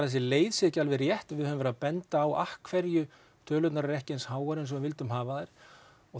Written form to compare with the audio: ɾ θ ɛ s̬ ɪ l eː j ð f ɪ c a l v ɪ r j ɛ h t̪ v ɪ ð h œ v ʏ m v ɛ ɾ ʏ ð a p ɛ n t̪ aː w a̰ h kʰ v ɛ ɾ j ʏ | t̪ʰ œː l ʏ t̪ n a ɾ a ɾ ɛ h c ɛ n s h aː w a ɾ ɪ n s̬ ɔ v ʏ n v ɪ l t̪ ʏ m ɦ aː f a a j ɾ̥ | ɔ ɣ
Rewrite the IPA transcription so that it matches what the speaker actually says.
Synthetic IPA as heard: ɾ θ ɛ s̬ ɪ l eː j ð s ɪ c a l v ɪ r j ɛ h t̪ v ɪ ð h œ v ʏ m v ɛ ɾ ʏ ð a p ɛ n t̪ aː w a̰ h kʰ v ɛ ɾ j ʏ | t̪ʰ œː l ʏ t̪ n a ɾ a ɾ ɛ h c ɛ n s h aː w a ɾ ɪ n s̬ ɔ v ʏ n v ɪ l t̪ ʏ m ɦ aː v a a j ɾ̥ | ɔ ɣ

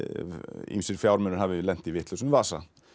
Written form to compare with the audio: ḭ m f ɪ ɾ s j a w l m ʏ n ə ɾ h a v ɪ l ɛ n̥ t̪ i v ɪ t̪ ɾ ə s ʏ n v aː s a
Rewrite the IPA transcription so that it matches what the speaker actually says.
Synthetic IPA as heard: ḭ m s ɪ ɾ f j a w ɾ m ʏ n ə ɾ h a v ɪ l ɛ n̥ t̪ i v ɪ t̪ l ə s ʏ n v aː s a

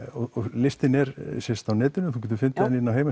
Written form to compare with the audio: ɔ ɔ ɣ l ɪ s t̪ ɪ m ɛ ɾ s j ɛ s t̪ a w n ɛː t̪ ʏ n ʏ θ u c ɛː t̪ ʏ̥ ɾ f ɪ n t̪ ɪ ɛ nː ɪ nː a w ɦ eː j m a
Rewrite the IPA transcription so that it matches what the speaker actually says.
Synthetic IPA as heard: ɔ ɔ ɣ l ɪ s t̪ ɪ n ɛ ɾ s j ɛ s t̪ a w n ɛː t̪ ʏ n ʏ θ u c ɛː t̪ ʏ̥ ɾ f ɪ n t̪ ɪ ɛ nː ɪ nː a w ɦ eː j m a

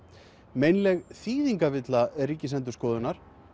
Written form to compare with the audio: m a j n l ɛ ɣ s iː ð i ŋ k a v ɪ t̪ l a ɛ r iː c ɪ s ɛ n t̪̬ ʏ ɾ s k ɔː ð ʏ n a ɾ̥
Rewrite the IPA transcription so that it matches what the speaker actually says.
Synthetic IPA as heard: m e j n l ɛ ɣ θ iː ð i ŋ k a v ɪ t̪ l a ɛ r iː c ɪ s ɛ n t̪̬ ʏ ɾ s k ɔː ð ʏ n a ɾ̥

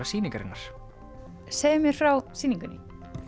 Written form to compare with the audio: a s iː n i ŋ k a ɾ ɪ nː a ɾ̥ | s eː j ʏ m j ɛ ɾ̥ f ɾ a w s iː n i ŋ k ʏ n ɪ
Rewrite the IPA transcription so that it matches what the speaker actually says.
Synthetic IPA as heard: a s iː n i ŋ k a ɾ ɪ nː a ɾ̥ | s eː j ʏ m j ɛ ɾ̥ f ɾ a w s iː n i ŋ k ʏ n ɪ

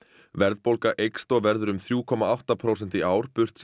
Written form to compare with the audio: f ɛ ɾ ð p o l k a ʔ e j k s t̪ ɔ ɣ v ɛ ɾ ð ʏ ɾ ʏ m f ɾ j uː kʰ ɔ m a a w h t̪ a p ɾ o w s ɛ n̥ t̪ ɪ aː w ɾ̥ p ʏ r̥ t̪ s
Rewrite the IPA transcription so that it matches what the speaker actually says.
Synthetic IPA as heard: v ɛ ɾ ð p o l k a ʔ e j k s t̪ ɔ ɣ v ɛ ɾ ð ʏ ɾ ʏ m θ ɾ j uː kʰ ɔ m a a w h t̪ a pʰ ɾ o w s ɛ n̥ t̪ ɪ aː w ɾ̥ p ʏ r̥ t̪ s

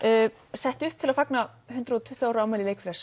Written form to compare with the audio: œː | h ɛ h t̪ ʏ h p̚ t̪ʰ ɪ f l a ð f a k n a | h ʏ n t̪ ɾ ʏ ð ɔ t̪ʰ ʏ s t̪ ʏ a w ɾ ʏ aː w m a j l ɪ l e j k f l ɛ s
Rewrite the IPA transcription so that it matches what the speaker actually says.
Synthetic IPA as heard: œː | s ɛ h t̪ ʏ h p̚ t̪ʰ ɪ l a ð f a k n a | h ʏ n t̪ ɾ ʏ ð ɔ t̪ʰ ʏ h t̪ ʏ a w ɾ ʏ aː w m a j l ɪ l e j k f l ɛ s

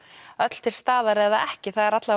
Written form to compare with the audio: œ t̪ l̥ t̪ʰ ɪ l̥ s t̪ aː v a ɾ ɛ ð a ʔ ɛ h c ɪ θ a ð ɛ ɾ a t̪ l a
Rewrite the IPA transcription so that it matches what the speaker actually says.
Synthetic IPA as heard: œ t̪ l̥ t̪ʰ ɪ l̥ s t̪ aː ð a ɾ ɛ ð a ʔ ɛ h c ɪ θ a ð ɛ ɾ a t̪ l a

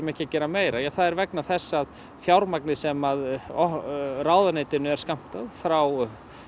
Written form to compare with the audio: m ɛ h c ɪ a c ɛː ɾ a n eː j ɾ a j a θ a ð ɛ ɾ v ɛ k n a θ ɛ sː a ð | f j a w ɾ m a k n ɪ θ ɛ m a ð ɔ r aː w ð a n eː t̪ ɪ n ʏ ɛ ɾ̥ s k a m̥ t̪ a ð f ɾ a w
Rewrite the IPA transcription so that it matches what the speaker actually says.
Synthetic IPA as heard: m ɛ h c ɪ a c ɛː ɾ a m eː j ɾ a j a θ a ð ɛ ɾ v ɛ k n a θ ɛ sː a ð | f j a w ɾ m a k n ɪ s ɛ m a ð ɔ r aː w ð a n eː t̪ ɪ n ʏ ɛ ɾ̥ s k a m̥ t̪ a ð f ɾ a w

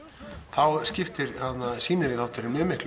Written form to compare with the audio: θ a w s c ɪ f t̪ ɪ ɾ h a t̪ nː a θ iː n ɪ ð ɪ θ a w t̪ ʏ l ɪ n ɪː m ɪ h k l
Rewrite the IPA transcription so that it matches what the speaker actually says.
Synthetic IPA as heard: θ a w s c ɪ f t̪ ɪ ɾ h a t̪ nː a s iː n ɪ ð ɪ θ a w t̪ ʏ ɾ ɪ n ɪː m ɪ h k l

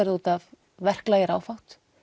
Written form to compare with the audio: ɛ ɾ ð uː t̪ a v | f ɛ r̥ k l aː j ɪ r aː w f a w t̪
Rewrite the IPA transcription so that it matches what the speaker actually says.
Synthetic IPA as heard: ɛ ɾ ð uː t̪ a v | v ɛ r̥ k l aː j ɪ ɾ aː w f a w t̪

